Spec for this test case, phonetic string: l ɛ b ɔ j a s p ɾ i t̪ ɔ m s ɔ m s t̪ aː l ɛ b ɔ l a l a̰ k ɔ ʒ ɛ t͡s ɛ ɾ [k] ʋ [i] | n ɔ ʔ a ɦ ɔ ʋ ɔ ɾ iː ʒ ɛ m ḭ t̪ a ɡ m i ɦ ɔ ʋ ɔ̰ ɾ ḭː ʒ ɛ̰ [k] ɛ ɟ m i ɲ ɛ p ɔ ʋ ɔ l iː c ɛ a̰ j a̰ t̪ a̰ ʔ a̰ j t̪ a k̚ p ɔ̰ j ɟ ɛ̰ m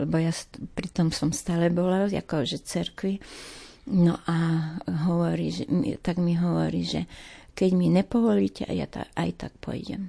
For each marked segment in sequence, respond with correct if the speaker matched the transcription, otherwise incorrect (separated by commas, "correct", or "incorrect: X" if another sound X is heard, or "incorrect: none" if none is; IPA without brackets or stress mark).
correct, correct, correct